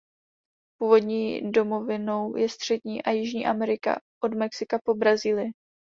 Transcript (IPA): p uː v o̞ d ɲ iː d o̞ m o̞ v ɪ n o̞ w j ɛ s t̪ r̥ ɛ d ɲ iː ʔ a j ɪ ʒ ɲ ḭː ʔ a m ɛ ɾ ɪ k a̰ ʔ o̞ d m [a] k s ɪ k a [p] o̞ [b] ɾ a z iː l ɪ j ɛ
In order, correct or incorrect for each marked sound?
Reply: incorrect, correct, correct

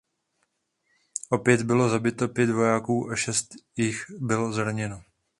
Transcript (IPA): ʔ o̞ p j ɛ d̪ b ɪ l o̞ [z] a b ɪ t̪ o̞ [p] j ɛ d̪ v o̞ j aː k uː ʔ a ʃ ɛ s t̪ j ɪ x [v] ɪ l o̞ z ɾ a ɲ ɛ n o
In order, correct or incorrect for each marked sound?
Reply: correct, correct, incorrect

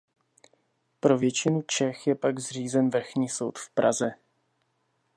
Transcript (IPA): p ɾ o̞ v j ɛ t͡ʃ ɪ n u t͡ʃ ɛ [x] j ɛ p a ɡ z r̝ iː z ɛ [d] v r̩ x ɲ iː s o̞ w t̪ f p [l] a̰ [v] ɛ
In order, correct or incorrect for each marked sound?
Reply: correct, incorrect, incorrect, incorrect

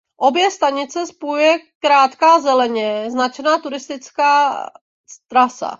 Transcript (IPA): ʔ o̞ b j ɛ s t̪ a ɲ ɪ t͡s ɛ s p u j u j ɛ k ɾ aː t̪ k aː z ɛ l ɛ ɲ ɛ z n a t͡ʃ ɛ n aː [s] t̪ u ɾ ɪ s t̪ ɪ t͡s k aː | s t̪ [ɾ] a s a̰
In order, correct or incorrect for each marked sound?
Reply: incorrect, correct

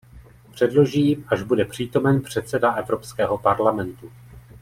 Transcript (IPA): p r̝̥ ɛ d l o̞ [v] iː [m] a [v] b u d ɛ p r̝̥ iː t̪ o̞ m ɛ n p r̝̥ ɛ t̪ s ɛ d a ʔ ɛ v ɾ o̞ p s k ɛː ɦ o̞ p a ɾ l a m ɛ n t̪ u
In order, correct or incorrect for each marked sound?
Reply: incorrect, correct, incorrect

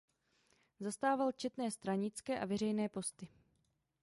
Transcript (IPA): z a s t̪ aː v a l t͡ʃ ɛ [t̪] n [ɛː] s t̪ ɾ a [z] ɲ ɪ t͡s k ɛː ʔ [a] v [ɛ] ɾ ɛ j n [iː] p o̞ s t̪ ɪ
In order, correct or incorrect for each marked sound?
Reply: correct, correct, incorrect, correct, correct, incorrect

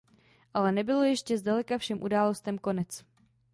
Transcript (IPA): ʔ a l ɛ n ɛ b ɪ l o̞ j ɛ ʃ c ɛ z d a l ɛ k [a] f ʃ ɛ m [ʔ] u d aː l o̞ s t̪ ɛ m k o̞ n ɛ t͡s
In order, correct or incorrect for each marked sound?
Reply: correct, correct

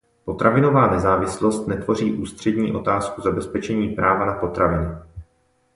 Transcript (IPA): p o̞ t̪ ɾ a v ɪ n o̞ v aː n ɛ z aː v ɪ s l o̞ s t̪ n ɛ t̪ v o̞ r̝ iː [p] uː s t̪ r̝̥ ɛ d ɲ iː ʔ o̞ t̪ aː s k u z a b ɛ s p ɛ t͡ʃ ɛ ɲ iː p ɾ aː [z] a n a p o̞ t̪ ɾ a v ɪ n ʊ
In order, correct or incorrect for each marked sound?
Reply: incorrect, incorrect

